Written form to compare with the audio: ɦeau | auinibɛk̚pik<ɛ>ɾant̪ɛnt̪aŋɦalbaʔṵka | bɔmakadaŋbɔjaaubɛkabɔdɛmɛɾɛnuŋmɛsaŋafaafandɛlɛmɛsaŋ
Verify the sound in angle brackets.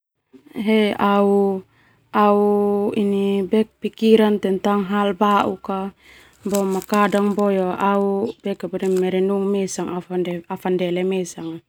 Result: incorrect: i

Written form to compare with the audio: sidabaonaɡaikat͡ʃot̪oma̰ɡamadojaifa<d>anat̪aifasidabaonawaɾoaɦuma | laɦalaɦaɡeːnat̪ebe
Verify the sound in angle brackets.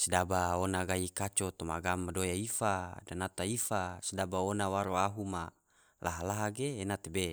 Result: correct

